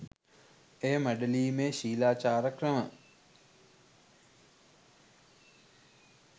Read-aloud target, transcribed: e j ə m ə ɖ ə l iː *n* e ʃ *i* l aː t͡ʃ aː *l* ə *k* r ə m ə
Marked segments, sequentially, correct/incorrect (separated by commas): incorrect, incorrect, incorrect, correct